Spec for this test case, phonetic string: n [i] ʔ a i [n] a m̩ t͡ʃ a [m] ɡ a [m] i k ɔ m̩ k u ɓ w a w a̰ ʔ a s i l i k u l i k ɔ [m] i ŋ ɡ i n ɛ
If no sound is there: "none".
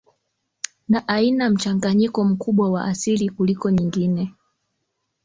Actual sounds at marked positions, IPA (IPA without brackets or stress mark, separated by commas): a, n, ŋ, ɲ, ɲ